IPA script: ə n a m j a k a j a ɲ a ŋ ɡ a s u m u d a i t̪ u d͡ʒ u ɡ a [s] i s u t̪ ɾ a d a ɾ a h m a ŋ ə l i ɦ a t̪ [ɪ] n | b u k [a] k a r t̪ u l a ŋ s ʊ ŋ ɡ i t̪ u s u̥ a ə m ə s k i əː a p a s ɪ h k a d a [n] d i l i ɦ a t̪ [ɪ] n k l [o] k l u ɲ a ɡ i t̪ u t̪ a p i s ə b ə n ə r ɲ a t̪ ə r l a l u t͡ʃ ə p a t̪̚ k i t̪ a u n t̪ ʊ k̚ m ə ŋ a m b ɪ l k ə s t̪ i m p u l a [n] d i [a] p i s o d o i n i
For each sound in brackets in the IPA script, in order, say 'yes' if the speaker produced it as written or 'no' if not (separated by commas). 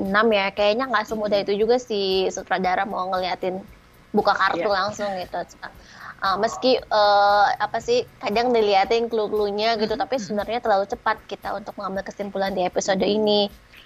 yes, yes, yes, no, yes, no, yes, no